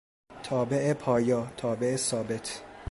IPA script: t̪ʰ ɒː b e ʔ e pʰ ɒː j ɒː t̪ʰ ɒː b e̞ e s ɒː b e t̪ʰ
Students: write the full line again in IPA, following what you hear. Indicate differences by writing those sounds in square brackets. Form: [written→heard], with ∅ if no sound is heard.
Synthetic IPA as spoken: t̪ʰ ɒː b e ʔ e pʰ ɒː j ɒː t̪ʰ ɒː b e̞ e s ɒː b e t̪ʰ

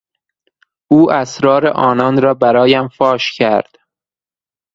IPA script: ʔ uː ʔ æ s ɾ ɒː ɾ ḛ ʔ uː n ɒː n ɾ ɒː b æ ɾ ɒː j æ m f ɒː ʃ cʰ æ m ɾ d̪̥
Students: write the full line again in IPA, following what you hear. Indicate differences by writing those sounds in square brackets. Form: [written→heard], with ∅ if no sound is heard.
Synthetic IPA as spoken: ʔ uː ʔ æ s ɾ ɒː ɾ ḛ ʔ [uː→ɒː] n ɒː n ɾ ɒː b æ ɾ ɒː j æ m f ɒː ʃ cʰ æ [m→∅] ɾ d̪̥

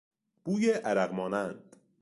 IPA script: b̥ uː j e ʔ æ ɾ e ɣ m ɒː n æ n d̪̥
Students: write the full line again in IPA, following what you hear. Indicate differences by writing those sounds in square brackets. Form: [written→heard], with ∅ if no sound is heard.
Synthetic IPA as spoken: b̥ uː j e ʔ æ ɾ [e→æ] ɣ m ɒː n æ n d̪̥

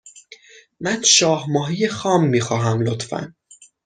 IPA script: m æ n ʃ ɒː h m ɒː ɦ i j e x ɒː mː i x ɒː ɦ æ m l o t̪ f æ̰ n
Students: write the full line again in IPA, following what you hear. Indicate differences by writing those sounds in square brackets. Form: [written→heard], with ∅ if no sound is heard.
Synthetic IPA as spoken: m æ n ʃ ɒː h m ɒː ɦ i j e x ɒː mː [i→iː] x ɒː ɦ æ m l o t̪ f æ̰ n

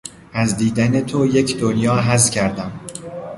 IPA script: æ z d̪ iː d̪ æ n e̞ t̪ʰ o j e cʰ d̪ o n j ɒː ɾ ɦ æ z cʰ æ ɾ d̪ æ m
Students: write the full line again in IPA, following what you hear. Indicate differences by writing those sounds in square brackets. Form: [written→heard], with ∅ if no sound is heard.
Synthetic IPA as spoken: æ z d̪ iː d̪ æ n e̞ t̪ʰ o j e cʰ d̪ o n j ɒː [ɾ→∅] ɦ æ z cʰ æ ɾ d̪ æ m

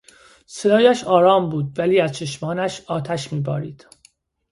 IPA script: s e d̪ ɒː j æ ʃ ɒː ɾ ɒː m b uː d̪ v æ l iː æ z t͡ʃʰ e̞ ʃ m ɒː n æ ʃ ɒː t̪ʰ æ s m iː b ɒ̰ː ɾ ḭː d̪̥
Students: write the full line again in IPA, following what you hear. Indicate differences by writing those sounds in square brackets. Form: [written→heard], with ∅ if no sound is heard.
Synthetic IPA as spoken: s e d̪ ɒː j æ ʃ ɒː ɾ ɒː m b uː d̪ v æ l iː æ z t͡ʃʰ e̞ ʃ m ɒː n æ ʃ ɒː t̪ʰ æ [s→ʃ] m iː b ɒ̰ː ɾ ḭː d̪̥

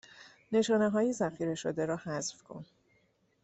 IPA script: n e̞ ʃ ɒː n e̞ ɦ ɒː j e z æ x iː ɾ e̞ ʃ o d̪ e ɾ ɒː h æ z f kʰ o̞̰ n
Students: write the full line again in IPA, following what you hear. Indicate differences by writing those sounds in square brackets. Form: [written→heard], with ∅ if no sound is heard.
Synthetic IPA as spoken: n e̞ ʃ ɒː n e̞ ɦ ɒː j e z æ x iː ɾ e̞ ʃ o d̪ e ɾ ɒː h æ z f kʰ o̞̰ n

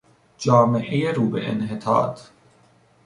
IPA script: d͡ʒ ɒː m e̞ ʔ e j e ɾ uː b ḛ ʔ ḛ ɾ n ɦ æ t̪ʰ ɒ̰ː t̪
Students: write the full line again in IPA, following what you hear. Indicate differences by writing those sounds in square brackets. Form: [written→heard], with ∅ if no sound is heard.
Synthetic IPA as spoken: d͡ʒ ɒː m e̞ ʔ e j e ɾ uː b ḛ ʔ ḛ [ɾ→∅] n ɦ [æ→e] t̪ʰ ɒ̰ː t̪

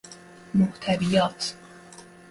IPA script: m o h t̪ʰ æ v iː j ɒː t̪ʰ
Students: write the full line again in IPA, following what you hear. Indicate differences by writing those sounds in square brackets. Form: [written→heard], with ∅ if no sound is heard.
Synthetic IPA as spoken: m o h t̪ʰ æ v [iː→i] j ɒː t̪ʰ

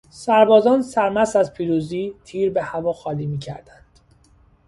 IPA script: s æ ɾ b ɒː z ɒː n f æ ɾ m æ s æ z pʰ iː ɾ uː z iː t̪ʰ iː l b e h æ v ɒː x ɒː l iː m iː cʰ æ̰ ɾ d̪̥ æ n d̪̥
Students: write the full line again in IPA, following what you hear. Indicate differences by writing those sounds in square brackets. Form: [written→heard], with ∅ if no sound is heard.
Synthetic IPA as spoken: s æ ɾ b ɒː z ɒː n [f→s] æ ɾ m æ s æ z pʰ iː ɾ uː z iː t̪ʰ iː [l→ɾ] b e h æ v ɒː x ɒː l iː m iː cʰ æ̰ ɾ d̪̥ æ n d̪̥

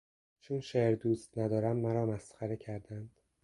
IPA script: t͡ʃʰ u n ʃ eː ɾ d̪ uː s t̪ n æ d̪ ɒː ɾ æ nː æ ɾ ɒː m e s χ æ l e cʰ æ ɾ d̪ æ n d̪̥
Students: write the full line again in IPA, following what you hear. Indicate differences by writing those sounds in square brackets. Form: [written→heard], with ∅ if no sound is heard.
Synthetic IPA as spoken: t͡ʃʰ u n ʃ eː ɾ d̪ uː s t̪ n æ d̪ ɒː ɾ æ [nː→mː] æ ɾ ɒː m [e→æ] s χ æ [l→ɾ] e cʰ æ ɾ d̪ æ n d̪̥

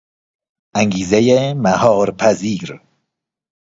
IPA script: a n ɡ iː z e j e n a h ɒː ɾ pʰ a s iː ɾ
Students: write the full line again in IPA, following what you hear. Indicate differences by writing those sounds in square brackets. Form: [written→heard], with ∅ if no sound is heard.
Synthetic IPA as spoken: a [n→ŋ] ɡ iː z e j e [n→m] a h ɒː ɾ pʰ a [s→z] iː ɾ

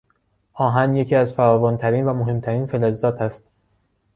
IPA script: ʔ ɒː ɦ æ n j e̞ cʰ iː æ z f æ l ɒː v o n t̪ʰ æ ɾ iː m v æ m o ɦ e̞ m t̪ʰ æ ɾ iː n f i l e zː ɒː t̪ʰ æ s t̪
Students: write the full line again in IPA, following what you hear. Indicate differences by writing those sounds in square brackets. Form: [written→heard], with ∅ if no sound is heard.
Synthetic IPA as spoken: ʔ ɒː ɦ æ n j e̞ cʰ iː æ z f æ [l→ɾ] ɒː v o n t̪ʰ æ ɾ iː [m→n] v æ m o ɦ e̞ m t̪ʰ æ ɾ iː n f [i→e] l e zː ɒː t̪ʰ æ s t̪

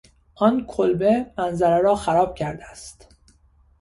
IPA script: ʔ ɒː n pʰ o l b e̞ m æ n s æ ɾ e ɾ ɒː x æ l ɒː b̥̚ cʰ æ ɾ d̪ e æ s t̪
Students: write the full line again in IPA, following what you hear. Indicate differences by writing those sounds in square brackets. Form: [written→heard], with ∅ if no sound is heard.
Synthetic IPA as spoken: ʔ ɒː n [pʰ→kʰ] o l b e̞ m æ n [s→z] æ ɾ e ɾ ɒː x æ [l→ɾ] ɒː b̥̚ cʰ æ ɾ d̪ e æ s t̪

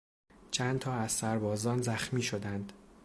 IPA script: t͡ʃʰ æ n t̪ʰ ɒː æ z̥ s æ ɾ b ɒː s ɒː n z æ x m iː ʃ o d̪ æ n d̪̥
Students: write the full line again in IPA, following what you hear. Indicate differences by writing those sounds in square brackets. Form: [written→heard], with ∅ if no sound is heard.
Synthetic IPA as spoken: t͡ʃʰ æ n t̪ʰ ɒː æ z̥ s æ ɾ b ɒː [s→z] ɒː n z æ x m iː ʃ o d̪ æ n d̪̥

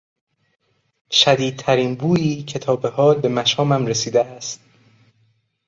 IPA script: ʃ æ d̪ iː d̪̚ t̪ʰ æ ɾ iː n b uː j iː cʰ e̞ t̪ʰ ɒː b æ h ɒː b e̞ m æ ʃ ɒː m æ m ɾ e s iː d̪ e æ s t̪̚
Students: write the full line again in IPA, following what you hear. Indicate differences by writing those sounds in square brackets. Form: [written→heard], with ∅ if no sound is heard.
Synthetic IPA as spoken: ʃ æ d̪ iː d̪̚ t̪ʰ æ ɾ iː n b uː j iː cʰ e̞ t̪ʰ ɒː b [æ→e] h ɒː b e̞ m æ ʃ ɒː m æ m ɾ e s iː d̪ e æ s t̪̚

